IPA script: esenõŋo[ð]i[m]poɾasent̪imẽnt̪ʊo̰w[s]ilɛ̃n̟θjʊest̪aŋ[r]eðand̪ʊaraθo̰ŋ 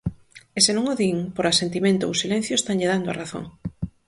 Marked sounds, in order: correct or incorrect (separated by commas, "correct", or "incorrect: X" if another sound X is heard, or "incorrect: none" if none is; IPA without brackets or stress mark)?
correct, incorrect: ŋ, correct, incorrect: ʎ